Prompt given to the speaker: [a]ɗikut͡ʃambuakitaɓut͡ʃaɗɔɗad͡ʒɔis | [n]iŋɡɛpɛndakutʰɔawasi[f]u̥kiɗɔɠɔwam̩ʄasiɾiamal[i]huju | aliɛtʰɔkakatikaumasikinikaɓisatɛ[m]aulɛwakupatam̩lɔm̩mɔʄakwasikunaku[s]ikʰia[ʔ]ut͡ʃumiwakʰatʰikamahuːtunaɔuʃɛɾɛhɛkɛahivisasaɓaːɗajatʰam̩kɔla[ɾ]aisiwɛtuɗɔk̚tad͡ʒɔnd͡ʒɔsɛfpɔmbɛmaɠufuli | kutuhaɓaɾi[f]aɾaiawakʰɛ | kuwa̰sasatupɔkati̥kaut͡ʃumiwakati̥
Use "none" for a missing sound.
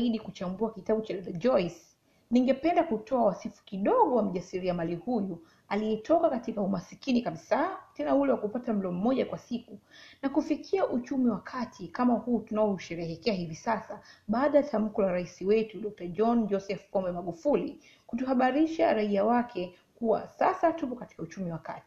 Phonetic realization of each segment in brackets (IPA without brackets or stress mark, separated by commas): i, n, f, i, n, f, ʔ, ɾ, ʃ